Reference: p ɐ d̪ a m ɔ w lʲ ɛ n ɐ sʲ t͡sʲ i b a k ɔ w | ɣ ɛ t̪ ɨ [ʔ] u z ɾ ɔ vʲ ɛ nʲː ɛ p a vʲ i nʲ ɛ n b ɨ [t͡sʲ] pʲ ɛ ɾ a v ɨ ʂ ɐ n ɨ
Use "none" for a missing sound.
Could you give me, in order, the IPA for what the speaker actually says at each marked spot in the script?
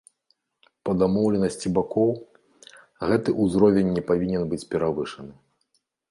ʔ, t͡sʲ

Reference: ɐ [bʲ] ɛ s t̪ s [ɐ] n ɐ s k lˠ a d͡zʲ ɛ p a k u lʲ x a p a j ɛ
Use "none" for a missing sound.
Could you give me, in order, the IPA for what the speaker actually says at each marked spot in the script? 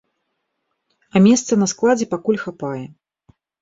mʲ, ɐ

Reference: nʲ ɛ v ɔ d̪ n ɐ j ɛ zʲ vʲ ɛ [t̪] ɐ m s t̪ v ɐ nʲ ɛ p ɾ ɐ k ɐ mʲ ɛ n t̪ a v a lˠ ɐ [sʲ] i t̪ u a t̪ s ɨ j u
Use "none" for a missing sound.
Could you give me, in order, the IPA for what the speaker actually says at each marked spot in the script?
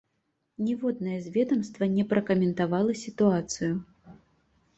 d̪, sʲ

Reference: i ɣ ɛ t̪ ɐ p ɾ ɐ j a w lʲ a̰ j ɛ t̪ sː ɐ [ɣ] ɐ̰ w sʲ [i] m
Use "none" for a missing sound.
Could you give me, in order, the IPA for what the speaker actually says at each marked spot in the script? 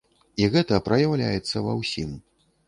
v, i

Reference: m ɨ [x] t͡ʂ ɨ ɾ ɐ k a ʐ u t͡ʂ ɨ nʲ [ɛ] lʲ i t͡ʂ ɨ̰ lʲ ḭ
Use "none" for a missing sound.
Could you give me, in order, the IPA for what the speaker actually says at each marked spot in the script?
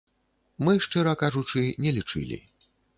ʂ, ɛ

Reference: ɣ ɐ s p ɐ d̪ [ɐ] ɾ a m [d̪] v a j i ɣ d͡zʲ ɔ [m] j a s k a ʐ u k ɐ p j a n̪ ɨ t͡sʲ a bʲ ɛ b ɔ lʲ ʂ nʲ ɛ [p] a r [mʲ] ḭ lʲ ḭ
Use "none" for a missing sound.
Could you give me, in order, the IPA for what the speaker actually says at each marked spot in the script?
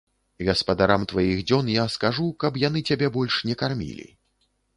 a, t̪, n, k, mʲ

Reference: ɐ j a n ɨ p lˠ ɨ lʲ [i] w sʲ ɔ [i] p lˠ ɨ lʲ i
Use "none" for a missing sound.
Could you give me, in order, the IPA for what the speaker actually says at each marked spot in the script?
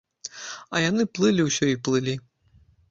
i, i

